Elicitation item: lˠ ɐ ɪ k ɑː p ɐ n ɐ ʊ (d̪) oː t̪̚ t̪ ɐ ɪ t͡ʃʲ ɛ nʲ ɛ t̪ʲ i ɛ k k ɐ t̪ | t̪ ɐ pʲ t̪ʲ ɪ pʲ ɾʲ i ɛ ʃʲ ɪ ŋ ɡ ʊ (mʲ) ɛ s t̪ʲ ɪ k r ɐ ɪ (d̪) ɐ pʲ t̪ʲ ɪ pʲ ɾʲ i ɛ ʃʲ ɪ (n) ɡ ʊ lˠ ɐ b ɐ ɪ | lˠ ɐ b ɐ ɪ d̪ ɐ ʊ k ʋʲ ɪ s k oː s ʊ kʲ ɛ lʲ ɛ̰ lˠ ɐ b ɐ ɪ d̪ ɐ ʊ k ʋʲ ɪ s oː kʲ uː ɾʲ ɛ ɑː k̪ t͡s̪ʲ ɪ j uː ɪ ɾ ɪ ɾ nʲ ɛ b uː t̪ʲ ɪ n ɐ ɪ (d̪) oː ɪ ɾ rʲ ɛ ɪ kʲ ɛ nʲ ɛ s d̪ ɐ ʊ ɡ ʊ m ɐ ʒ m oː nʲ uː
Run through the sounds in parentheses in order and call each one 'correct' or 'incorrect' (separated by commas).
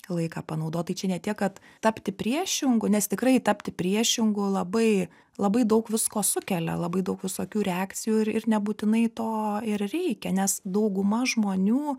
correct, incorrect, incorrect, incorrect, incorrect